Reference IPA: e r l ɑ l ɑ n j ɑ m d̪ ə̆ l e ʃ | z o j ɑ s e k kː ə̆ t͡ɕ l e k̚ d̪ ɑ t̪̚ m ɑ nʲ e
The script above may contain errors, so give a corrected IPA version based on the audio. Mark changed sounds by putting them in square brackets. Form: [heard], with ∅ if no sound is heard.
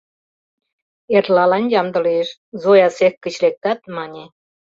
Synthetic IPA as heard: e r l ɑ l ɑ n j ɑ m d̪ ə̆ l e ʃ | z o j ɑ s e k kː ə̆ t͡ɕ l e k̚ [t̪] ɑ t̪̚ m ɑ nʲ e